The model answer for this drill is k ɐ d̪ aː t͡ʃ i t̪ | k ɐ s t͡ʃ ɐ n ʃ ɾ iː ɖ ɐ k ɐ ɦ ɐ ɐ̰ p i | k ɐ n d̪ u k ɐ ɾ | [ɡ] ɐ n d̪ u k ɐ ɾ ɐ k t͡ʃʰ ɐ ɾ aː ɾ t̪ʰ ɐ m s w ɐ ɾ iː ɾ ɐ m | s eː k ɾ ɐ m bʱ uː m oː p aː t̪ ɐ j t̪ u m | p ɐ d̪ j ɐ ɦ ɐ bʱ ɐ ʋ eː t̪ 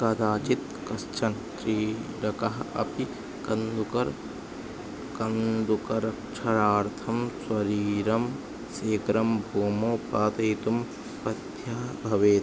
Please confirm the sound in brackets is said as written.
no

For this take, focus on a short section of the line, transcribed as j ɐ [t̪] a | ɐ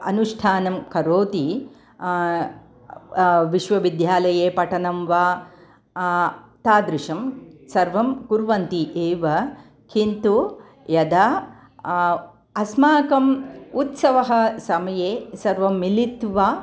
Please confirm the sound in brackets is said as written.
no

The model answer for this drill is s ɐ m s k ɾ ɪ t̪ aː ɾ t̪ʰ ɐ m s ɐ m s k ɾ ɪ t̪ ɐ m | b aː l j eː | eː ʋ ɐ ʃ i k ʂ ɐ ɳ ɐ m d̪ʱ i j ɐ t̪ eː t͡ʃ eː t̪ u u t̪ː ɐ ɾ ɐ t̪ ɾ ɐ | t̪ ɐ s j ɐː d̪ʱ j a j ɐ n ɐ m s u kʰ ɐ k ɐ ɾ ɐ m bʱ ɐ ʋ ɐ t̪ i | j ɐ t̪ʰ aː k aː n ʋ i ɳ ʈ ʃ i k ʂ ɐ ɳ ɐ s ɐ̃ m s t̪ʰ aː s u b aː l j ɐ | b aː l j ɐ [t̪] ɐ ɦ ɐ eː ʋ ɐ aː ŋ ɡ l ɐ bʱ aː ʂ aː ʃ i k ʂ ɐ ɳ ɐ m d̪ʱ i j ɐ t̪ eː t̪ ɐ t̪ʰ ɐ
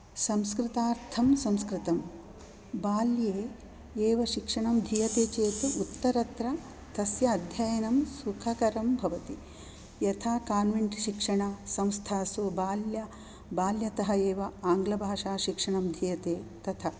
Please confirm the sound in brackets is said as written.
yes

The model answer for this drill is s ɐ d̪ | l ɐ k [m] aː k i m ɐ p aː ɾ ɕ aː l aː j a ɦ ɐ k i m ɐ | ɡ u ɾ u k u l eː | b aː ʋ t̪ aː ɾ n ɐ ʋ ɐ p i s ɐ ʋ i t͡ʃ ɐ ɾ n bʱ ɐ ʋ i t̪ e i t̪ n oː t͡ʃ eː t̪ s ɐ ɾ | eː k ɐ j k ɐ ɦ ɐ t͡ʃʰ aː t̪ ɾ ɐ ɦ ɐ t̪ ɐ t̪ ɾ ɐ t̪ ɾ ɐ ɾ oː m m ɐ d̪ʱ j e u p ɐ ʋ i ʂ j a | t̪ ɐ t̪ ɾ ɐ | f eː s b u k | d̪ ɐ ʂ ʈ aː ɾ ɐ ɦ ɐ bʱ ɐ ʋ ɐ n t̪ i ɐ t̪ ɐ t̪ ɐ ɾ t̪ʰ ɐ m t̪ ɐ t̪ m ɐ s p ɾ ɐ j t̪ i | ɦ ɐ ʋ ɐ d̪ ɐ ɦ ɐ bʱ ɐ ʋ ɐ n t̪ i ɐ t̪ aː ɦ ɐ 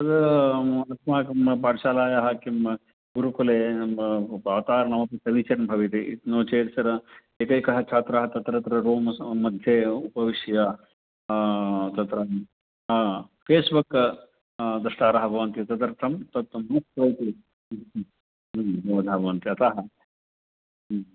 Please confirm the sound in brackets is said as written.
yes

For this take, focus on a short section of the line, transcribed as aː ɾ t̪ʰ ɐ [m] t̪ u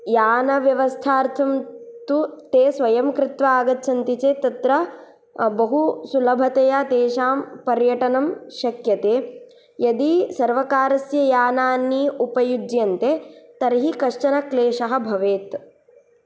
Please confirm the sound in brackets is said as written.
yes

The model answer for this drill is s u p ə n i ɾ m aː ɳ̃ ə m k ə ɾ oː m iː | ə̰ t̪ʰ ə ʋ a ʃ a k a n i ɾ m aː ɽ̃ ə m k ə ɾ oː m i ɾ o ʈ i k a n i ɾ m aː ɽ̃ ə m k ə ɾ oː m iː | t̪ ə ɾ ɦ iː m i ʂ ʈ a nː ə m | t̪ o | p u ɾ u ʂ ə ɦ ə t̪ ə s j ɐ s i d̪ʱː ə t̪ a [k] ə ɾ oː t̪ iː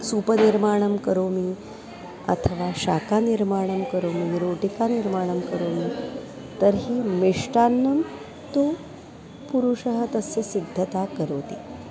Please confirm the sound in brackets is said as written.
yes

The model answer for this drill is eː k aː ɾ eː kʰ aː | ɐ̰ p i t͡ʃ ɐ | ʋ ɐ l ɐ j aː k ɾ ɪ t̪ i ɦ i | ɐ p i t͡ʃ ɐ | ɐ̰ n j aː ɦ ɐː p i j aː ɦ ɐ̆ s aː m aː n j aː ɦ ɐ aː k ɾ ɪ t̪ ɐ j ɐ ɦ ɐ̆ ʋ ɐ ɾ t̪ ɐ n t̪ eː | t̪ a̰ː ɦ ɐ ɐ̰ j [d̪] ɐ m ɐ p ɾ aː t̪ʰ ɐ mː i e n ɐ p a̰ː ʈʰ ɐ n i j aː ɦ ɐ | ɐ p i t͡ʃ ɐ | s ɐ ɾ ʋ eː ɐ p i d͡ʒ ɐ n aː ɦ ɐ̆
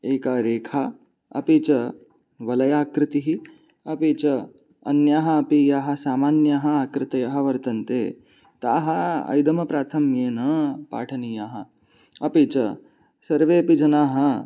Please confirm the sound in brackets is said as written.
yes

